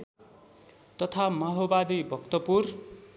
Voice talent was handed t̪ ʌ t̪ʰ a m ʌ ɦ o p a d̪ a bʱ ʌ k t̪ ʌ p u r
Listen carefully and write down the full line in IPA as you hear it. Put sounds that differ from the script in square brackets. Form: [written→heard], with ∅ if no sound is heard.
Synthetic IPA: t̪ ʌ t̪ʰ a m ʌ ɦ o [p→b] a d̪ [a→i] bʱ ʌ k t̪ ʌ p u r